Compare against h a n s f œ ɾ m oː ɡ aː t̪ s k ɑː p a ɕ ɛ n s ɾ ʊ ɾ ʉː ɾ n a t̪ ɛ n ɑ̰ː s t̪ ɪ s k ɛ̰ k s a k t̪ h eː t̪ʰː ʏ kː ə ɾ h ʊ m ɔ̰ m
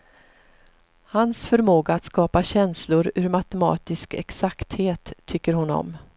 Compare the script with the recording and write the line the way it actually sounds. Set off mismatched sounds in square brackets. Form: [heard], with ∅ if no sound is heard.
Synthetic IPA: h a n s f œ ɾ m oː ɡ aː t̪ s k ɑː p a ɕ ɛ n s [l] ʊ ɾ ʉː ɾ [m] a t̪ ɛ [m] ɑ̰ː [∅] t̪ ɪ s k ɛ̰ k s a k t̪ h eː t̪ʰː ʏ kː ə ɾ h ʊ [n] ɔ̰ m